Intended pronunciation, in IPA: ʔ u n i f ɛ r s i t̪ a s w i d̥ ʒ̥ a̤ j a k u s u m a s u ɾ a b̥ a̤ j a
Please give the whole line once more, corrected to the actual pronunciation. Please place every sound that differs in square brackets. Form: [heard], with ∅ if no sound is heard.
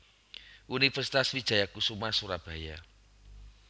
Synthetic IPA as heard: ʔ u n i f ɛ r s i t̪ a s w i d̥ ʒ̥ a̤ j a k u s u m a s u ɾ a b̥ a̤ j a